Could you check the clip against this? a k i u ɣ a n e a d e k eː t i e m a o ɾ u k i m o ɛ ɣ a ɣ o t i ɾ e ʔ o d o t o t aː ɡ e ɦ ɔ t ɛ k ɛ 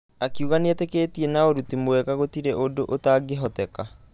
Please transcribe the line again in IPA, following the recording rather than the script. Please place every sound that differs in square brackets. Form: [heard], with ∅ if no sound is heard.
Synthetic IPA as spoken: a k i u ɣ a n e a [t] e k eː t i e [n] a o ɾ u [t] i m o ɛ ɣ a ɣ o t i ɾ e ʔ o d o [ʔ] o t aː ɡ e ɦ ɔ t ɛ k [a]